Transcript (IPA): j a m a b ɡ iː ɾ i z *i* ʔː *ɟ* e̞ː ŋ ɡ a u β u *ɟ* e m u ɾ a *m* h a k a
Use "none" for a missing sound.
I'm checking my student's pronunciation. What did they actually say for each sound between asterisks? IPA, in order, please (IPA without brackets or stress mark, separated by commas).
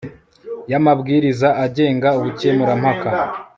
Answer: a, ɟ, c, m